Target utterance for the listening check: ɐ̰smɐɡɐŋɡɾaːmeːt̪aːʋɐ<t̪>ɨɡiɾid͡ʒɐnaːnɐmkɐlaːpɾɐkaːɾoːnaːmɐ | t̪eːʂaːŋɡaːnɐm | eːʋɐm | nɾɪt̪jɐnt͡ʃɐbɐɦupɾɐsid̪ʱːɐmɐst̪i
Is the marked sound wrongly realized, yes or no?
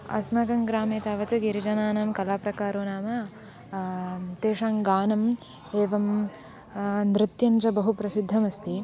no